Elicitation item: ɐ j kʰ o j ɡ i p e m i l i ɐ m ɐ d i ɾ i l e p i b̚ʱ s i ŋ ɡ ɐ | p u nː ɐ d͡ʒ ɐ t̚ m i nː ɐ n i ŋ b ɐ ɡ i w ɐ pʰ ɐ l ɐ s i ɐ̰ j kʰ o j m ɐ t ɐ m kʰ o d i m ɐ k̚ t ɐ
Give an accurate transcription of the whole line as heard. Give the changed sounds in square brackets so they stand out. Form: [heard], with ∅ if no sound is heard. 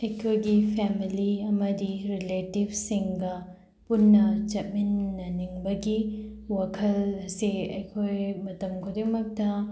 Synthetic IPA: ɐ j kʰ o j ɡ i [pʰ] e m i l i ɐ m ɐ d i ɾ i l e [t] i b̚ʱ s i ŋ ɡ ɐ | p u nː ɐ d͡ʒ ɐ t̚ m i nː ɐ n i ŋ b ɐ ɡ i w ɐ [kʰ] ɐ l ɐ s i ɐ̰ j kʰ o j m ɐ t ɐ m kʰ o d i m ɐ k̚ t ɐ